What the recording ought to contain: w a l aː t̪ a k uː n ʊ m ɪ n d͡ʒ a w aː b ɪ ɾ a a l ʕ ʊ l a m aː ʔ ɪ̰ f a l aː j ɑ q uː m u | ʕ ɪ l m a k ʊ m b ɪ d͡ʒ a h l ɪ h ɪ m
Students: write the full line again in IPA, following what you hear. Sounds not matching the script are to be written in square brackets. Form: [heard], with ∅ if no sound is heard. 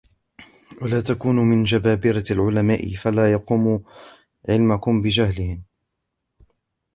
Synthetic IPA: w a l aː t̪ a k uː n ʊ m ɪ n d͡ʒ a [b] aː b ɪ ɾ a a l ʕ ʊ l a m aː ʔ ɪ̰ f a l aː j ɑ q uː m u | ʕ ɪ l m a k ʊ m b ɪ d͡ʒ a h l ɪ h ɪ m